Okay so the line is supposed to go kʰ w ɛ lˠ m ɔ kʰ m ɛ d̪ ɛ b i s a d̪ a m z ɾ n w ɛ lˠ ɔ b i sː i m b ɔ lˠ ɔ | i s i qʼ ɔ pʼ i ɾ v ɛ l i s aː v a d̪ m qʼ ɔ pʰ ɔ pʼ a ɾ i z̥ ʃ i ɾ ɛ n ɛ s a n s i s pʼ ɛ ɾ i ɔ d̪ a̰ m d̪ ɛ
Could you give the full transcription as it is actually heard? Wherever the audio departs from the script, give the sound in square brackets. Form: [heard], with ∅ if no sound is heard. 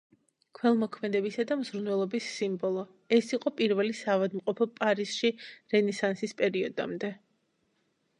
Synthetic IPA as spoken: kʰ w ɛ lˠ m ɔ kʰ m ɛ d̪ ɛ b i s a d̪ a m z ɾ n w ɛ lˠ ɔ b i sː i m b ɔ lˠ ɔ | [ɛ] s i qʼ ɔ pʼ i ɾ v ɛ l i s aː v a d̪ m qʼ ɔ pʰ ɔ pʼ a ɾ i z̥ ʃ i ɾ ɛ n ɛ s a n s i s pʼ ɛ ɾ i ɔ d̪ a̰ m d̪ ɛ